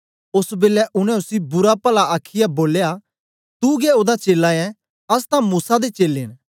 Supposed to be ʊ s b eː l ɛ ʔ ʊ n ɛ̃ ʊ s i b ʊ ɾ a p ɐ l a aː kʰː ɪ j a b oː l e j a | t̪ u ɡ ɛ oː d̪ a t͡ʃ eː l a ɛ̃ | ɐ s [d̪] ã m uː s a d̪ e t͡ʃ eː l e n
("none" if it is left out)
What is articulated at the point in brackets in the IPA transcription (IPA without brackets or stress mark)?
t̪